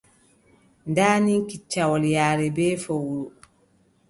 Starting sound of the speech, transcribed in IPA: n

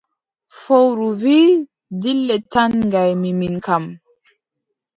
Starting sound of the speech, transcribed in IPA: f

